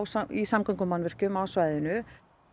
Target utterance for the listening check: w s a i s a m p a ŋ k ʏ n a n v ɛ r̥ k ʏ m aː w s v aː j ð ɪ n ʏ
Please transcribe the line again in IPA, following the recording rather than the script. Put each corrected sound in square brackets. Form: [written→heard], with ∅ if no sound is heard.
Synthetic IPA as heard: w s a i s a m [p→k] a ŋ k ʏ [n→m] a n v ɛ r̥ [k→c] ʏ m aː w s v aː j ð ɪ n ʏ

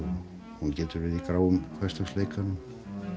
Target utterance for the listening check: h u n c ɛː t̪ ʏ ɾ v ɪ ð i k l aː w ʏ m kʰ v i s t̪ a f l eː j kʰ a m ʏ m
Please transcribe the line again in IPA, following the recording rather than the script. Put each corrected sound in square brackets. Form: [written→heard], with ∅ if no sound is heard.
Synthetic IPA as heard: h u n c ɛː t̪ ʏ ɾ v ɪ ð i k [l→ɾ] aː w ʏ m kʰ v [i→ɛ] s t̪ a [f→s] l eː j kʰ a [m→n] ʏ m

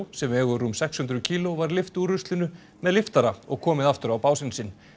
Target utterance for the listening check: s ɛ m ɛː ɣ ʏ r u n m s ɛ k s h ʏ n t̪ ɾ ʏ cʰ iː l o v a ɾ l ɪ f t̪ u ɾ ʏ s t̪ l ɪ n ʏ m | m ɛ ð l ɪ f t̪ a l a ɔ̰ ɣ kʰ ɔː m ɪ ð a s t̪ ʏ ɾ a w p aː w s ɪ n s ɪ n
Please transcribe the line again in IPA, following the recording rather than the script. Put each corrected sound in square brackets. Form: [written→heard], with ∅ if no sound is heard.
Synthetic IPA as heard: s ɛ m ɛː ɣ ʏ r u [n→∅] m s ɛ k s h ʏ n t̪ ɾ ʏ cʰ iː l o v a ɾ l ɪ f t̪ u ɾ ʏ s t̪ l ɪ n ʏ [m→∅] | m ɛ ð l ɪ f t̪ a [l→ɾ] a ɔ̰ ɣ kʰ ɔː m ɪ ð a [s→f] t̪ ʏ ɾ a w p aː w s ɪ n s ɪ n

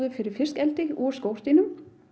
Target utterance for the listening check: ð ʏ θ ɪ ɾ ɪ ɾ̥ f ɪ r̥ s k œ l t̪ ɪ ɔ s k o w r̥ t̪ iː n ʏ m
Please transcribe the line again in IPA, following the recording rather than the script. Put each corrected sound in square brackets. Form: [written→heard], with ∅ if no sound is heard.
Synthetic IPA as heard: ð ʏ [θ→f] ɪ ɾ ɪ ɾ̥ f ɪ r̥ s k [œ→ɛ] l t̪ ɪ ɔ s k o w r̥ t̪ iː n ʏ m

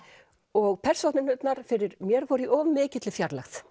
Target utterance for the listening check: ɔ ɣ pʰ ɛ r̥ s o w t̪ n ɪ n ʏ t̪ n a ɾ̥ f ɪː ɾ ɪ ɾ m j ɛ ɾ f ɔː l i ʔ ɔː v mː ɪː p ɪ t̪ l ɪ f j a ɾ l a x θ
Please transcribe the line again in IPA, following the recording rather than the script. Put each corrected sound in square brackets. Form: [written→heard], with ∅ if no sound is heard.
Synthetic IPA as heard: ɔ ɣ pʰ ɛ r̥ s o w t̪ n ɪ n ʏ t̪ n a ɾ̥ f [ɪː→ɪ] ɾ ɪ ɾ m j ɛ ɾ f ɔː [l→ɾ] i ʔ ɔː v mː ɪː [p→c] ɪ t̪ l ɪ f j a ɾ l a x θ

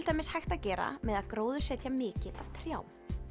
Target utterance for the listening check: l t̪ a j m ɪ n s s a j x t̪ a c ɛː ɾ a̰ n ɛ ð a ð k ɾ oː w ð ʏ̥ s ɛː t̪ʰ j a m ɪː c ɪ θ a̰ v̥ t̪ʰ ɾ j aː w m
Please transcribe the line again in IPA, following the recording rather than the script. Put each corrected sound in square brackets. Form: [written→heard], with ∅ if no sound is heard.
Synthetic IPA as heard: l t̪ a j m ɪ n s [s→h] a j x t̪ a c ɛː ɾ a̰ [n→m] ɛ ð a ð k ɾ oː w ð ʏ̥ s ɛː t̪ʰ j a m ɪː c ɪ [θ→ð] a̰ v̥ t̪ʰ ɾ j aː w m

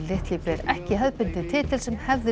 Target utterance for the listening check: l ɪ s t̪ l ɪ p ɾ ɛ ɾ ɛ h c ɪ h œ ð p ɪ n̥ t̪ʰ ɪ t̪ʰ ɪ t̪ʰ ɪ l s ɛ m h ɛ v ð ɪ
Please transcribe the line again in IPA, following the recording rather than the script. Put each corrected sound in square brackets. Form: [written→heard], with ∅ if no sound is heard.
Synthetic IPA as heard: l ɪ [s→h] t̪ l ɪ p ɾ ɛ ɾ ɛ h c ɪ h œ ð p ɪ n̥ [t̪ʰ→t̪] ɪ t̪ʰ ɪ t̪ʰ ɪ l s ɛ m h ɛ v ð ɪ

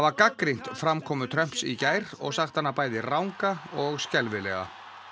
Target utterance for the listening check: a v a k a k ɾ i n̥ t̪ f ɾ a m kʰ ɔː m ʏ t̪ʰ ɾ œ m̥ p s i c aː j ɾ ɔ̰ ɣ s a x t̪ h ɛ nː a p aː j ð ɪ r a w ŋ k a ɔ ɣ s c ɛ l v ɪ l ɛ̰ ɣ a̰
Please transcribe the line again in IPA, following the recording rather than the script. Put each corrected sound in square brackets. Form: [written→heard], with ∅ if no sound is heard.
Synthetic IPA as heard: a v a k a k ɾ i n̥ t̪ f ɾ a m kʰ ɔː m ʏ t̪ʰ ɾ œ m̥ p s i c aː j ɾ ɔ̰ ɣ s a x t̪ h [ɛ→a] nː a p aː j ð ɪ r a w ŋ k a ɔ ɣ s c ɛ l v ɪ l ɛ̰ ɣ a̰

